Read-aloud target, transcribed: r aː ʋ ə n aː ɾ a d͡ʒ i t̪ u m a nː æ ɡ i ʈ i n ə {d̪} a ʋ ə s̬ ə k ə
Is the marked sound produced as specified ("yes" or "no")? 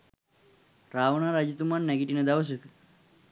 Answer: yes